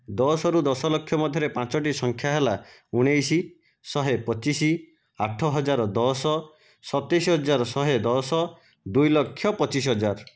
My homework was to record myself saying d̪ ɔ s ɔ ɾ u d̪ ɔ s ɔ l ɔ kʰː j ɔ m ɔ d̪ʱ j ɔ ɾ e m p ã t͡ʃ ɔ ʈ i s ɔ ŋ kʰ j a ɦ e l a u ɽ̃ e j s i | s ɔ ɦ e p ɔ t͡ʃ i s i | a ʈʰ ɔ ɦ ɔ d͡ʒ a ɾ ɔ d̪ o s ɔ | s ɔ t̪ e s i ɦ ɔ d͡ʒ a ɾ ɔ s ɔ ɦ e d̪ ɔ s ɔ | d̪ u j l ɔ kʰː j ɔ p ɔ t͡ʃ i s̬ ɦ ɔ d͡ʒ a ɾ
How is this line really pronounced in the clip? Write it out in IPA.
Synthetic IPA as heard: d̪ ɔ s ɔ ɾ u d̪ ɔ s ɔ l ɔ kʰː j ɔ m ɔ d̪ʱ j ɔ ɾ e p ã t͡ʃ ɔ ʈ i s ɔ ŋ kʰ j a ɦ e l a u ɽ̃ e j s i | s ɔ ɦ e p ɔ t͡ʃ i s i | a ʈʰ ɔ ɦ ɔ d͡ʒ a ɾ ɔ d̪ ɔ s ɔ | s ɔ t̪ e s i ɦ ɔ d͡ʒ a ɾ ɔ s ɔ ɦ e d̪ ɔ s ɔ | d̪ u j l ɔ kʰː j ɔ p ɔ t͡ʃ i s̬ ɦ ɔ d͡ʒ a ɾ